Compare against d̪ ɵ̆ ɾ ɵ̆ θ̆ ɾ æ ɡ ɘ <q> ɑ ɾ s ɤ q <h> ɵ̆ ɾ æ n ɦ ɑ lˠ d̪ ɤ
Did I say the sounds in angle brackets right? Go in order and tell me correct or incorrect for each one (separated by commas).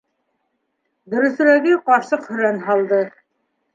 correct, correct